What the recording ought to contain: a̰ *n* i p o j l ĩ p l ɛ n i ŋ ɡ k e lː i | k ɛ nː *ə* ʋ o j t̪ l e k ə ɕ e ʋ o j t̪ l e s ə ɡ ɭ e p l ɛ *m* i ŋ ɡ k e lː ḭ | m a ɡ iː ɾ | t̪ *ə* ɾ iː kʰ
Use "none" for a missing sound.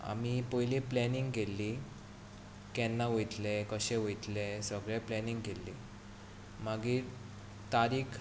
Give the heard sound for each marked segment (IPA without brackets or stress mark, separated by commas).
m, a, n, a